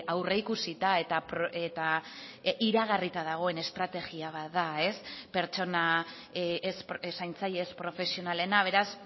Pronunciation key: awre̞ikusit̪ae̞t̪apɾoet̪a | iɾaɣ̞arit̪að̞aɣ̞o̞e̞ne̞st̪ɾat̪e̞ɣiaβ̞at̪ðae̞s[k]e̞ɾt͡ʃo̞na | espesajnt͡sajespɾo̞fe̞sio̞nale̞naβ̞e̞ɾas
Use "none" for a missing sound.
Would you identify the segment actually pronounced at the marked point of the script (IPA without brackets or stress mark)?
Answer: p